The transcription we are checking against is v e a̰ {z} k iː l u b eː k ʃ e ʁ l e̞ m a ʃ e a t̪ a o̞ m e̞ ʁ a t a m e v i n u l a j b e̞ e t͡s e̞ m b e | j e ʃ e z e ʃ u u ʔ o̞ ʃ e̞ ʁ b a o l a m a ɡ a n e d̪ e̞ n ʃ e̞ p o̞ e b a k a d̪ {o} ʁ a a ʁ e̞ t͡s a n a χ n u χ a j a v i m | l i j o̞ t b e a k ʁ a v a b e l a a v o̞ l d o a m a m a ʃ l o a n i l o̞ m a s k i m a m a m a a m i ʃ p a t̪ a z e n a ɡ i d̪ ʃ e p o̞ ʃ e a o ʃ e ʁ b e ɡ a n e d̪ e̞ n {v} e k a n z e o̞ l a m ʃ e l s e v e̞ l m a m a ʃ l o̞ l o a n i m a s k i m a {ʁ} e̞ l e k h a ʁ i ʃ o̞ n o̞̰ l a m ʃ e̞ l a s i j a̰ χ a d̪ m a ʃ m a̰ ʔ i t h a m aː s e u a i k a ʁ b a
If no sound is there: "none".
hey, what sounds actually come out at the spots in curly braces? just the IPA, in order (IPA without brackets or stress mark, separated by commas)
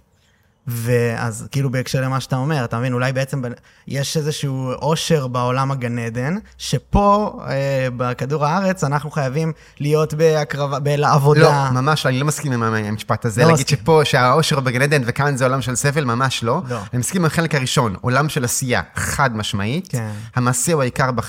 z, u, v, χ